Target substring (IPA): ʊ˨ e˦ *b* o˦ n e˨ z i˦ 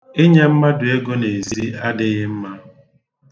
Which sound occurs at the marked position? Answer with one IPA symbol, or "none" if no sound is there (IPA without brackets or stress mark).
ɡ